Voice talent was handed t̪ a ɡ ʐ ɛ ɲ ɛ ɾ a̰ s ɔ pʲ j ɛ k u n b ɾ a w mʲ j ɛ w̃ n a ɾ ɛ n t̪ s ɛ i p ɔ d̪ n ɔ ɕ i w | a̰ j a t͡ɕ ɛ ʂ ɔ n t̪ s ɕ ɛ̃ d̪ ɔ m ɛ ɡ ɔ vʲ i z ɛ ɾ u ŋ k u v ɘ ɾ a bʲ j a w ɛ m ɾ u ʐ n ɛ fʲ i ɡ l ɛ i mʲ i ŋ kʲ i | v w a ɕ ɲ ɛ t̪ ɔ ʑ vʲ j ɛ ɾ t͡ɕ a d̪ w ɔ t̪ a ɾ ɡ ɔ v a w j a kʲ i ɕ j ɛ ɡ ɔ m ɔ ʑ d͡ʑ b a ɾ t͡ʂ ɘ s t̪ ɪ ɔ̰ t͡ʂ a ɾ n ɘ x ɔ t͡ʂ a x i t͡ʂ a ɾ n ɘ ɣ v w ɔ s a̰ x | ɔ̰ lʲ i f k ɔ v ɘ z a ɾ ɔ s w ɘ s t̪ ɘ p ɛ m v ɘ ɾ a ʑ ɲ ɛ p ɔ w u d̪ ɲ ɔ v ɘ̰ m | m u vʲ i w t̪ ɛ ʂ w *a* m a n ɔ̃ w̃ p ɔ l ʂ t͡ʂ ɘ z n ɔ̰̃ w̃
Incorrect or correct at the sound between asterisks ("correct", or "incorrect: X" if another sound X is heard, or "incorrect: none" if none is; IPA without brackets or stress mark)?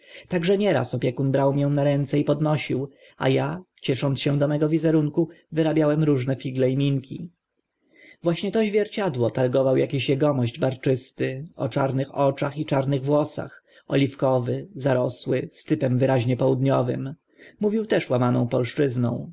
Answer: correct